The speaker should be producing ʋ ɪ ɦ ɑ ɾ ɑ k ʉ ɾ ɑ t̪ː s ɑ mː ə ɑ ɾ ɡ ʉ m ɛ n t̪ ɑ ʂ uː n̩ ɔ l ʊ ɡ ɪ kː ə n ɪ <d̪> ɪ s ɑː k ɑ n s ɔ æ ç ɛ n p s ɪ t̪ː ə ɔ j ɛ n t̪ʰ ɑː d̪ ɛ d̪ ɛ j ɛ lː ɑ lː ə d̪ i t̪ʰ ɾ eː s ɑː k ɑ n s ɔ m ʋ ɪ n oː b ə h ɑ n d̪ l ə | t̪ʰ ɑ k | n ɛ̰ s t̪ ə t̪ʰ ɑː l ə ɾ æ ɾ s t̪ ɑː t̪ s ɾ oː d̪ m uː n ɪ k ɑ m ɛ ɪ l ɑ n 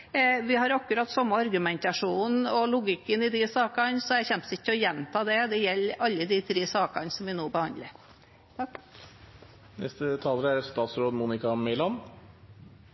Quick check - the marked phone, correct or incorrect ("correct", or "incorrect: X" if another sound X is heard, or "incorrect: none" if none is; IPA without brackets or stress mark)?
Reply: correct